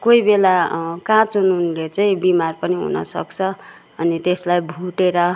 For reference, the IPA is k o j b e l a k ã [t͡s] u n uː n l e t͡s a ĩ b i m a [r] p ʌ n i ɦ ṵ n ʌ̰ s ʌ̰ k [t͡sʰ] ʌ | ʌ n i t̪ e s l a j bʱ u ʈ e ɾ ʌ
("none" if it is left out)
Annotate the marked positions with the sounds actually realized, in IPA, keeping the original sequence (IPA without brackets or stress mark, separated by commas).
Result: t͡s, r, t͡sʰ